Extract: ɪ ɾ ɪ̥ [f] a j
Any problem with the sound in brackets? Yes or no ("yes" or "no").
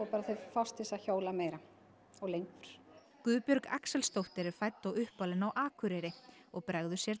no